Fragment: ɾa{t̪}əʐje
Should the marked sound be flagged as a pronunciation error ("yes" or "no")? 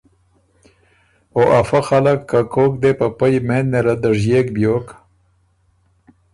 yes